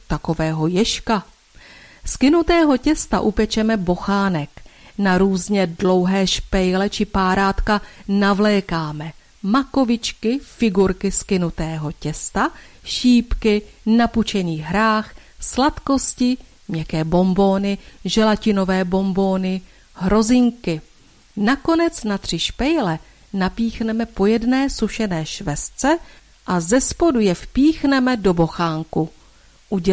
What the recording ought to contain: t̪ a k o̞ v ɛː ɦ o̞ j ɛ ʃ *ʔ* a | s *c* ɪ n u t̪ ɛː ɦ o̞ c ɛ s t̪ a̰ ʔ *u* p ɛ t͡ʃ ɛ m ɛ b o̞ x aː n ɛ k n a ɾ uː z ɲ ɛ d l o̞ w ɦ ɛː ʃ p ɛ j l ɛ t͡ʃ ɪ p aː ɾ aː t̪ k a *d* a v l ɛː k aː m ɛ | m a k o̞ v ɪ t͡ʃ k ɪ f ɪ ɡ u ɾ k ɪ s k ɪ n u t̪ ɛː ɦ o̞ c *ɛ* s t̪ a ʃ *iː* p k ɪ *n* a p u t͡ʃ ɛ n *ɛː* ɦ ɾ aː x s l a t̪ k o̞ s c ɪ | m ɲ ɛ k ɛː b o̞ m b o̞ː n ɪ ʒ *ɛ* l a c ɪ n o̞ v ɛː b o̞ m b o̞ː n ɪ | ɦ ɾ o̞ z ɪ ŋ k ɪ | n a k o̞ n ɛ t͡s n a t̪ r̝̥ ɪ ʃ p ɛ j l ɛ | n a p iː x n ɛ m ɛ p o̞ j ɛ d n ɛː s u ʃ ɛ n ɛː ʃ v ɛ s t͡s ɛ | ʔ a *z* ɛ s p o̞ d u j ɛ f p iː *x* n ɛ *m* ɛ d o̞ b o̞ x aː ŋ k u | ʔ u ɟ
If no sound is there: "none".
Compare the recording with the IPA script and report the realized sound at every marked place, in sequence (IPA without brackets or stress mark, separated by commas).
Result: k, k, u, n, ɛ, iː, n, iː, ɛ, z, x, m